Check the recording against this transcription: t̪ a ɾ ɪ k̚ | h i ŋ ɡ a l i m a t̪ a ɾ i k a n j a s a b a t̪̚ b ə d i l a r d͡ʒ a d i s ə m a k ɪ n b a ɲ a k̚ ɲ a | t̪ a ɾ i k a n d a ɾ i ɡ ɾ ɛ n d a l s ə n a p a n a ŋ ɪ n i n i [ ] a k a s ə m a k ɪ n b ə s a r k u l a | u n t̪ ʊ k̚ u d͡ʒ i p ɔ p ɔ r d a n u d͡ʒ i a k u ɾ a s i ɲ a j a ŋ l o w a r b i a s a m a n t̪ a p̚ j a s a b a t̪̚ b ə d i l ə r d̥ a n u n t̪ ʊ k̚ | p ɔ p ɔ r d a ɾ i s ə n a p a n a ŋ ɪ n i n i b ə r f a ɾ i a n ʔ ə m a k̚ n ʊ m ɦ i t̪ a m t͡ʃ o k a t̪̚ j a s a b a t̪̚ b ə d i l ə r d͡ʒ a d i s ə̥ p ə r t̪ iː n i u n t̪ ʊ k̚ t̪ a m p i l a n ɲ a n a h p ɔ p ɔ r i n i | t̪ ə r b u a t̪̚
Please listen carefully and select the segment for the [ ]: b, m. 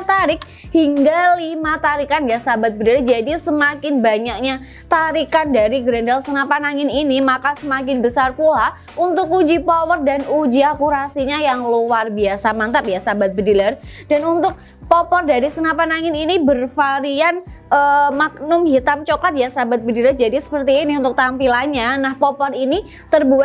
m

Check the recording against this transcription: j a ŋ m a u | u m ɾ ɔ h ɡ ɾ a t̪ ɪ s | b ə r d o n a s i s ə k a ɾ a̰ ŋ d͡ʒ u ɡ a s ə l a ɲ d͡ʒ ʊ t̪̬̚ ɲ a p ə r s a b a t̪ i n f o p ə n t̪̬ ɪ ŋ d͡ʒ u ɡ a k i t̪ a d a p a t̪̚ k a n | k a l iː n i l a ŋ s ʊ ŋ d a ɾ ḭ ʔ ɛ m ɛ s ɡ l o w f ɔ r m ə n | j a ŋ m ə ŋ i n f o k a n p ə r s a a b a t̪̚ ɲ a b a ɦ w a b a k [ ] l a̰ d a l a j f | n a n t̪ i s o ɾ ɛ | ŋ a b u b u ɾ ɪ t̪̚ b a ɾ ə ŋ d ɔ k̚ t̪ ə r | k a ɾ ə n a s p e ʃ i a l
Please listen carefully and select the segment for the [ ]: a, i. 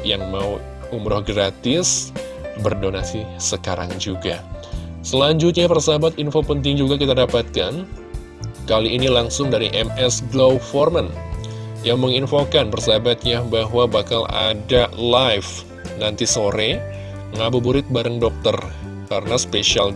a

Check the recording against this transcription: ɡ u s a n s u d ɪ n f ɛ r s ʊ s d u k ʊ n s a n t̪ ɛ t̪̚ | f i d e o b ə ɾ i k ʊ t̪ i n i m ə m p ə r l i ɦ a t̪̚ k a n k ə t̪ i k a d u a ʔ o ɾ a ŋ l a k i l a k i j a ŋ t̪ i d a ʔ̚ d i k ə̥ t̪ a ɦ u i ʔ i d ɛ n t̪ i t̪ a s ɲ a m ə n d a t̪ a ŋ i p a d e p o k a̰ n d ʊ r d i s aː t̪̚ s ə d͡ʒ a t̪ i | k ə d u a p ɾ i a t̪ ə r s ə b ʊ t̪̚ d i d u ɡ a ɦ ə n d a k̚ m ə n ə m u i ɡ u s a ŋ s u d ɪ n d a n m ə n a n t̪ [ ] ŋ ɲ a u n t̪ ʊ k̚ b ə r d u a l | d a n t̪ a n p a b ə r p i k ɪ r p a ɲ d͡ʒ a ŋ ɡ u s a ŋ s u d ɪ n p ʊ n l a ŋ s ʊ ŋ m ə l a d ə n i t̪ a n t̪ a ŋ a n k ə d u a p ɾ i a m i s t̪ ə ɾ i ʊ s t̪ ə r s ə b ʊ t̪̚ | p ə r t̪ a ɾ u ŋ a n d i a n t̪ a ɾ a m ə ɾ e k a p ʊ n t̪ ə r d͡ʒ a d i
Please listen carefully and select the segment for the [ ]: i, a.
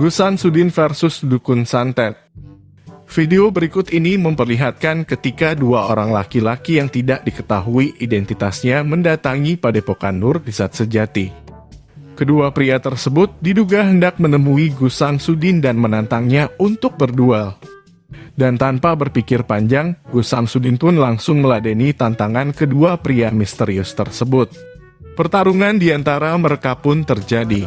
a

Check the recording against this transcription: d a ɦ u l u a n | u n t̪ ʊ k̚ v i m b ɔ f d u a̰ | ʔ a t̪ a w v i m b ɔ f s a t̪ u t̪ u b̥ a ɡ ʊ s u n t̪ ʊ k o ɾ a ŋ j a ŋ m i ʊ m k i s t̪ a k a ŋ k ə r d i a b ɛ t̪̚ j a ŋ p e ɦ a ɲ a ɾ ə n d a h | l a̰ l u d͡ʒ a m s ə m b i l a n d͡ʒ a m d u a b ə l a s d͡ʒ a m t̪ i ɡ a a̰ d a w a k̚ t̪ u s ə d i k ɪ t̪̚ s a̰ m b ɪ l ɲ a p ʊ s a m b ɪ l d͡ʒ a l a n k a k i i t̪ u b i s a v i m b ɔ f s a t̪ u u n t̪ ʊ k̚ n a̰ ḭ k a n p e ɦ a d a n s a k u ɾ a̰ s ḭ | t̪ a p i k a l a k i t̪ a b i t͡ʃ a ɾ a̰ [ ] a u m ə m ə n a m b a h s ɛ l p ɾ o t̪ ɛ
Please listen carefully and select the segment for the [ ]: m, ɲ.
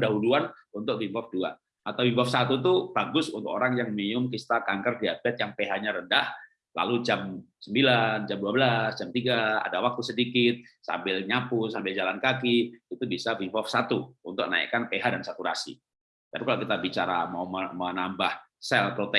m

